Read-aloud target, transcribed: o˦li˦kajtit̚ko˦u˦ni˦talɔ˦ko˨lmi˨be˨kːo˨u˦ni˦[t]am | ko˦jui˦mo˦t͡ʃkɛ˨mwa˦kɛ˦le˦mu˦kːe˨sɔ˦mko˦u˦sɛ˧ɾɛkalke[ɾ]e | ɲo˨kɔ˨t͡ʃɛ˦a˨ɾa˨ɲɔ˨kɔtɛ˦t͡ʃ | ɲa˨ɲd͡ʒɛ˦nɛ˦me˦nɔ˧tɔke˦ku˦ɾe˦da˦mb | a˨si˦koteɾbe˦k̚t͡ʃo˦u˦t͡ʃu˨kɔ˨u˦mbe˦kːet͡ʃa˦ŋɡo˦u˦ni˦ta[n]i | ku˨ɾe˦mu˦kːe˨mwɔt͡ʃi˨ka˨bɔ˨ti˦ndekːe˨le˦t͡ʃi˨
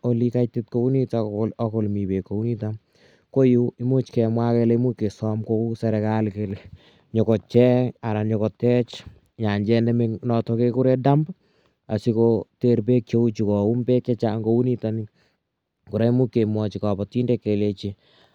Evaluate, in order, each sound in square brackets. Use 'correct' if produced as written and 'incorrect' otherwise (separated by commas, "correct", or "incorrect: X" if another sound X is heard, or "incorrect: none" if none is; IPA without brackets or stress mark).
correct, incorrect: l, correct